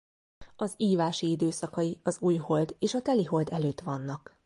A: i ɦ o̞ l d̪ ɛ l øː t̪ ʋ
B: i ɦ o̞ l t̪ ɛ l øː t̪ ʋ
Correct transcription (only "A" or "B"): A